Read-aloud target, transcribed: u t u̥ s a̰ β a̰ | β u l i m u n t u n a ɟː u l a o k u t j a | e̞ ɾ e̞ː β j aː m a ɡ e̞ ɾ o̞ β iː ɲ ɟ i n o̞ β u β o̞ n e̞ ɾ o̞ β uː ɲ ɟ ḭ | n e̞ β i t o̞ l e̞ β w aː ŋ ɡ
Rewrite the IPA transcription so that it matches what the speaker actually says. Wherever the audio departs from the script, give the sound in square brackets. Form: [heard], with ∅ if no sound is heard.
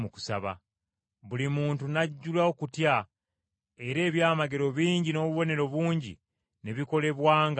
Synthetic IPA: u [k] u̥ s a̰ β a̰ | β u l i m [uː] n t u n a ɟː u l a o k u t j a | e̞ ɾ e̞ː β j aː m a ɡ e̞ ɾ o̞ β iː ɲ ɟ i n o̞ β u β o̞ n e̞ ɾ o̞ β uː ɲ ɟ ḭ | n e̞ β i [k] o̞ l e̞ β w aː ŋ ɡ